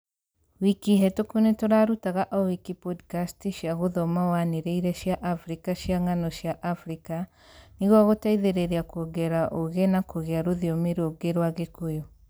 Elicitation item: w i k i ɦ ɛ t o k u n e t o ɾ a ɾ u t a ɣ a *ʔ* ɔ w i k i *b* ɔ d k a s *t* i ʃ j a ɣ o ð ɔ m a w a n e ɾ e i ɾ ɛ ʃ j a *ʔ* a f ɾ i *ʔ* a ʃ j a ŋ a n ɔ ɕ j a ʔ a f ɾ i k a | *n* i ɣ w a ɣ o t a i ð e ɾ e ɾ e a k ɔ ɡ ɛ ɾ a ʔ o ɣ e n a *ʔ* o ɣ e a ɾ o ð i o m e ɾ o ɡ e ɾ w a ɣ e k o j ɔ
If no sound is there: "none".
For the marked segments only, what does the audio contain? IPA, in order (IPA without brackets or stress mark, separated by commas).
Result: ʔ, p, t, ʔ, k, n, k